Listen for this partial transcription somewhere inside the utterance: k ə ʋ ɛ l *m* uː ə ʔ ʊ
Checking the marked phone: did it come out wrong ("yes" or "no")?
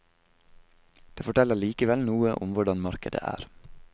yes